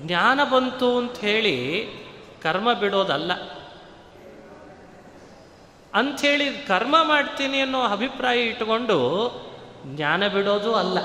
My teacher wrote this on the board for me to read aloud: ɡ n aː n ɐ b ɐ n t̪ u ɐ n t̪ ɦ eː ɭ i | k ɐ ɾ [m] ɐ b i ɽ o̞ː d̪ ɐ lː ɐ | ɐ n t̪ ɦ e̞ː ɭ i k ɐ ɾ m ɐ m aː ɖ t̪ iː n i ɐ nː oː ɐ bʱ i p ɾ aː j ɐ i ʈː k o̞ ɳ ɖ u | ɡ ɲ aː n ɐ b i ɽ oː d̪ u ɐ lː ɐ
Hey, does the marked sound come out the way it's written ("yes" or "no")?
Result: yes